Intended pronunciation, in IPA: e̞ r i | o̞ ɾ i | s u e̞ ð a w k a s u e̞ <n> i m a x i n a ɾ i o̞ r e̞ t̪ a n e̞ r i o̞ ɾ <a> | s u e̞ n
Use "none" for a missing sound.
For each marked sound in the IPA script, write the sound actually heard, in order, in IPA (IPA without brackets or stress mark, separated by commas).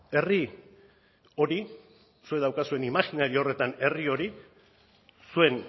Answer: n, i